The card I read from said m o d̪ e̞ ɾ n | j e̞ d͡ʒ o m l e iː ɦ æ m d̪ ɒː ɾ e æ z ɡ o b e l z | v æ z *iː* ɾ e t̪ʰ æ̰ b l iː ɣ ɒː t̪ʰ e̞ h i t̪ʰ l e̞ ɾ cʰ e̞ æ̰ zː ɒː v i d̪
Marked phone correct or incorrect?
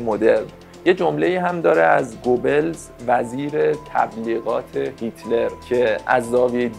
correct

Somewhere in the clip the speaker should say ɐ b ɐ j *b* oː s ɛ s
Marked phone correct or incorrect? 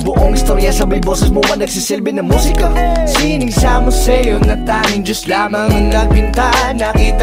correct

